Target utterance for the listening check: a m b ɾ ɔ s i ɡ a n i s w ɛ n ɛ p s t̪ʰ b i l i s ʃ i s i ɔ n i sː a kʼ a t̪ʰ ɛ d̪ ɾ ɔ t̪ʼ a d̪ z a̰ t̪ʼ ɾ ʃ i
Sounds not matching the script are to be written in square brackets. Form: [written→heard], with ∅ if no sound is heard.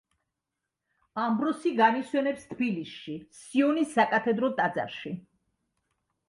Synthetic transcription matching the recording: a m b ɾ ɔ s i ɡ a n i s w ɛ n ɛ p s t̪ʰ b i l i s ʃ i s i ɔ n i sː a kʼ a t̪ʰ ɛ d̪ ɾ ɔ t̪ʼ a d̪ z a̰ [t̪ʼ→∅] ɾ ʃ i